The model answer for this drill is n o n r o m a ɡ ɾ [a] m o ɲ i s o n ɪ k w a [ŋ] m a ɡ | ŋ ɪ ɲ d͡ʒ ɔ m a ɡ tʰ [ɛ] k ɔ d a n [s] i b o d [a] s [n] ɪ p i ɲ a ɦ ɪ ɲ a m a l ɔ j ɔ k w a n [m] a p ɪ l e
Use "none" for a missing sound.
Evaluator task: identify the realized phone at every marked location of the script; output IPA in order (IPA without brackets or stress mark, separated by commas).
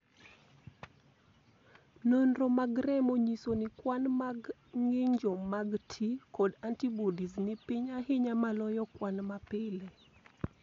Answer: ɛ, n, i, t, i, n, m